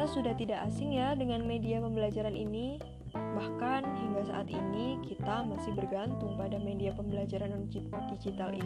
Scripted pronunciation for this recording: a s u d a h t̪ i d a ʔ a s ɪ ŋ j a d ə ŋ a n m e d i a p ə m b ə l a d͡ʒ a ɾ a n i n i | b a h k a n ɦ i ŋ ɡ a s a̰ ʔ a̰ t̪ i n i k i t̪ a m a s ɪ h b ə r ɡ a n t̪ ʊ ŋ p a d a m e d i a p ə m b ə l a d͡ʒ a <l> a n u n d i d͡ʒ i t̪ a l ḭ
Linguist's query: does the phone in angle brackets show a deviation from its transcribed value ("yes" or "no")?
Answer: yes